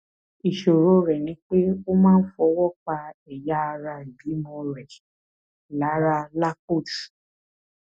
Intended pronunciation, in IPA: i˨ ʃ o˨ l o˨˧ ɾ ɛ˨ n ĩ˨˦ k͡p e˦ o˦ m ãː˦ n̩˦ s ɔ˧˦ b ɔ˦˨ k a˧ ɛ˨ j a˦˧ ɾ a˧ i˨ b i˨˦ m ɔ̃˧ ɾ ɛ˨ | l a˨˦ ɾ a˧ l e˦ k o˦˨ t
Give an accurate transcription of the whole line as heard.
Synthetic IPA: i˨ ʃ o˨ ɾ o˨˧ ɾ ɛ˨ n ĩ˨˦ k͡p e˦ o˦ m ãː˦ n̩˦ f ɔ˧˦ w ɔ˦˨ k͡p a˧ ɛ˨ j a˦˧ ɾ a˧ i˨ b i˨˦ m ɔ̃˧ ɾ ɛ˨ | l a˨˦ ɾ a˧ l a˦ k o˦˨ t